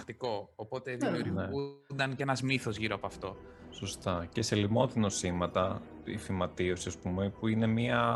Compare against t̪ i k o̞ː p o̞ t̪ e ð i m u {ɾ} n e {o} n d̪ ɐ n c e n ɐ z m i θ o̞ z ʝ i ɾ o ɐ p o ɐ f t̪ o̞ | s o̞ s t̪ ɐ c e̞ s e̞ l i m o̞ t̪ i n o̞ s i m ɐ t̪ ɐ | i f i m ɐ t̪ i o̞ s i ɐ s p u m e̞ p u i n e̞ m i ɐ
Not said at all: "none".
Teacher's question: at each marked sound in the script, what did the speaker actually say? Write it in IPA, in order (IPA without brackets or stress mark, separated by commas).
ɾ, u